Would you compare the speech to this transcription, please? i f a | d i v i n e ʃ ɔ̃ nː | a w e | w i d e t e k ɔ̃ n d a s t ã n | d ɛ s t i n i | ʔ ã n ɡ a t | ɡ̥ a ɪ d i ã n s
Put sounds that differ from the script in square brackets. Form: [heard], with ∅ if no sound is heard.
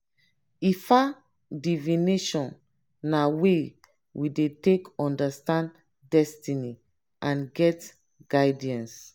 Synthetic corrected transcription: i f a | d i v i n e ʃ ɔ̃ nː | a w e | w i d e t e k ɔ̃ n d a s t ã n | d ɛ s t i n i | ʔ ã n ɡ [ɛ] t | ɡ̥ a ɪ d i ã n s